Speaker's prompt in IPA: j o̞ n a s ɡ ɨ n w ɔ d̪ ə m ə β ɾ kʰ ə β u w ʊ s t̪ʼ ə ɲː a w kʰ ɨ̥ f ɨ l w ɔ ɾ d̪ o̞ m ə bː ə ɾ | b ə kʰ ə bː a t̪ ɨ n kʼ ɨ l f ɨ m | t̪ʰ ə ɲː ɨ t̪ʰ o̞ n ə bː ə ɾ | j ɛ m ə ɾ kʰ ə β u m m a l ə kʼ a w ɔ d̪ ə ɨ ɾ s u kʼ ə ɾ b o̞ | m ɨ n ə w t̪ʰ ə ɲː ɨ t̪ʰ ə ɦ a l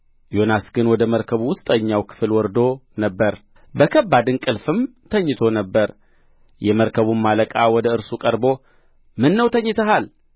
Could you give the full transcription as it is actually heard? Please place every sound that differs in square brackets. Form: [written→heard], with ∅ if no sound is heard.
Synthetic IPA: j o̞ n a s ɡ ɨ n w ɔ d̪ ə m ə [β→∅] ɾ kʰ ə β u w ʊ s t̪ʼ ə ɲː a w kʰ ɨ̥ f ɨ l w ɔ ɾ d̪ o̞ [m→n] ə bː ə ɾ | b ə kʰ ə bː a [t̪→d̪] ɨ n kʼ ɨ l f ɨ m | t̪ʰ ə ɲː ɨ t̪ʰ o̞ n ə bː ə ɾ | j ɛ m ə ɾ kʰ ə β u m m a l ə kʼ a w ɔ d̪ ə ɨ ɾ s u kʼ ə ɾ b o̞ | m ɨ [n→nː] ə w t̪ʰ ə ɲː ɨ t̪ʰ ə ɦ a l